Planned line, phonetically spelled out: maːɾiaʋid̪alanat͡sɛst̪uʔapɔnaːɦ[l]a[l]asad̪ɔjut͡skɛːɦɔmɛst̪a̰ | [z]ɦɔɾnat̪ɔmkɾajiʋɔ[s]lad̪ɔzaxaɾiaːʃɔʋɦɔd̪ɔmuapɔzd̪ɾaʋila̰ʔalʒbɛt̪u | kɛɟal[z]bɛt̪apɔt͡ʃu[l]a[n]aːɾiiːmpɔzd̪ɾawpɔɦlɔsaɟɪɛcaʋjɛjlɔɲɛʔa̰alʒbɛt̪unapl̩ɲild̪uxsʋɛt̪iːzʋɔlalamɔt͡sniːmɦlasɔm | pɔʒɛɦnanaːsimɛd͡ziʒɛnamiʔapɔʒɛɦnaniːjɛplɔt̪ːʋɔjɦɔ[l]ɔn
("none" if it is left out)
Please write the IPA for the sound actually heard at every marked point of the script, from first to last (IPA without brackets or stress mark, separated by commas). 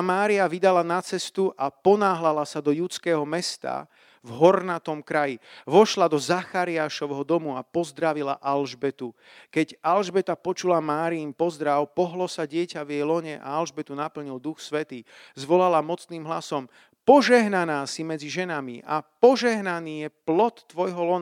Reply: l, l, v, ʃ, ʒ, l, m, l